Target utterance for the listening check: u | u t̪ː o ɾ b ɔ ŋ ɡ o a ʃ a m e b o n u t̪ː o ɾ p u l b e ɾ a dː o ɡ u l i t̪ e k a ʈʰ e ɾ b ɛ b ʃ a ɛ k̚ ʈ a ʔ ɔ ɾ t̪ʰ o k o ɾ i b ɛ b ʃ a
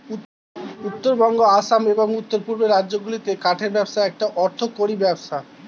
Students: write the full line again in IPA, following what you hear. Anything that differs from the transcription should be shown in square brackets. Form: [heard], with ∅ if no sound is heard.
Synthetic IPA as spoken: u | u t̪ː o ɾ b ɔ ŋ ɡ o a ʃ a m e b o [ŋ] u t̪ː o ɾ p u [ɾ] b e ɾ a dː o ɡ u l i t̪ e k a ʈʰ e ɾ b ɛ b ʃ a ɛ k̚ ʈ a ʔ ɔ ɾ t̪ʰ o k o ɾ i b ɛ b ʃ a